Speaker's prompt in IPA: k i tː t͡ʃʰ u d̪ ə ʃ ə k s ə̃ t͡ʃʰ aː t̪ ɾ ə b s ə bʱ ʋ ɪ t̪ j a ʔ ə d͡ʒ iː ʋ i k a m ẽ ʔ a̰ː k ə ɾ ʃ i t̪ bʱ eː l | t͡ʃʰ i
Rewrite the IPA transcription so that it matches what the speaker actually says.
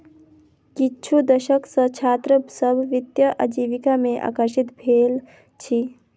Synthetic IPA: k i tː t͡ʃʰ u d̪ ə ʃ ə k s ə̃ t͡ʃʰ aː t̪ ɾ ə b s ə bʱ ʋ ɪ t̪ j ə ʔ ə d͡ʒ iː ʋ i k a m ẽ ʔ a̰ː k ə ɾ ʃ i t̪ bʱ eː l | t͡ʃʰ i